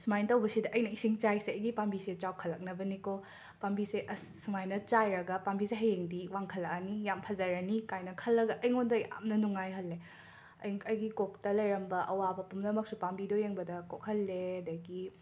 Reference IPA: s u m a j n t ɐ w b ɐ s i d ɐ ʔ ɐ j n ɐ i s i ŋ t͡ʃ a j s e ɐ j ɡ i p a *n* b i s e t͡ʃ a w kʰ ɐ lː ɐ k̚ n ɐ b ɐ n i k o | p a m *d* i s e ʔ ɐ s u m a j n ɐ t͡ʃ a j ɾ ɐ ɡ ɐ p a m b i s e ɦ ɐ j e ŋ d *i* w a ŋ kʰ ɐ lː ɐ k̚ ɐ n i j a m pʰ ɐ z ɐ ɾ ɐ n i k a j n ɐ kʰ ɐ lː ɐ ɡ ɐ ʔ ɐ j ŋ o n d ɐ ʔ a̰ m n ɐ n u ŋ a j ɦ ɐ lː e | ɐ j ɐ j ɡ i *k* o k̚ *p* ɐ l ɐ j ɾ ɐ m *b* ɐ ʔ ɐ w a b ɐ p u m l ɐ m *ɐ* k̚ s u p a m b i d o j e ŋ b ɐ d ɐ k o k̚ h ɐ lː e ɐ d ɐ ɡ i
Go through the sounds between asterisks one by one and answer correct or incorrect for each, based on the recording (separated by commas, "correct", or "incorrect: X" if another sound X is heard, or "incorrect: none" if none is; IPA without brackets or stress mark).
incorrect: m, incorrect: b, correct, correct, incorrect: t, correct, correct